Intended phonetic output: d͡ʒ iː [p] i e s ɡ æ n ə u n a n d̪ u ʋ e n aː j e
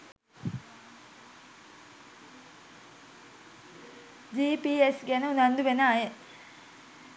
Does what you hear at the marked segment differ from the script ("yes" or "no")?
no